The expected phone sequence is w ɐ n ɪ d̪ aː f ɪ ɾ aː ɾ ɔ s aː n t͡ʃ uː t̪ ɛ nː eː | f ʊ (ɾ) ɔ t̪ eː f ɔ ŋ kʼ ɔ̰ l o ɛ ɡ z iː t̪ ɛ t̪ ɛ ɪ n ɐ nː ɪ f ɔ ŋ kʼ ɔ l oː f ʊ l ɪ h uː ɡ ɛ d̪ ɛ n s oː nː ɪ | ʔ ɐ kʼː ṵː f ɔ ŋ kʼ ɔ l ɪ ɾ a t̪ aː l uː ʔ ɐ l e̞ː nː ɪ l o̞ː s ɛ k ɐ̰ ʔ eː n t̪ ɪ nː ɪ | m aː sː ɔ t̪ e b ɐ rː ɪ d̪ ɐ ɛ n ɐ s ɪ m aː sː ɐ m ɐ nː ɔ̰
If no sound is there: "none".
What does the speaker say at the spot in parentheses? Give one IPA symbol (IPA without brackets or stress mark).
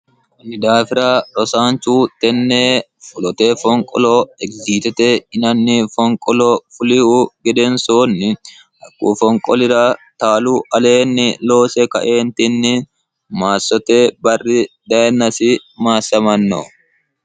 l